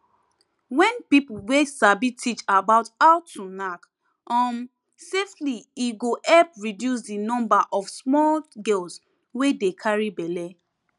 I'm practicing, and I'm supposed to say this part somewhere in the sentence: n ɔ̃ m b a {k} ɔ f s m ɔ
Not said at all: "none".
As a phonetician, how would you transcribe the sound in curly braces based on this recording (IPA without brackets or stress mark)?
ʔ